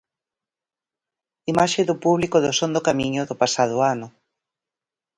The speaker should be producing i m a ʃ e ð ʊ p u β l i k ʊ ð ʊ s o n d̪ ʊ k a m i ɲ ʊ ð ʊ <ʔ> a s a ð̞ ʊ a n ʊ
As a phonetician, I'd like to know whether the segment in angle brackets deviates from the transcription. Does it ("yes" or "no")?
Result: yes